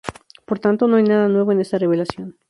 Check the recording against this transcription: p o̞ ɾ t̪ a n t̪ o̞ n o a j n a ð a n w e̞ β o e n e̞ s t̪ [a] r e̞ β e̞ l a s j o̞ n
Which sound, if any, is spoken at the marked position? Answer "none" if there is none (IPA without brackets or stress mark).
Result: a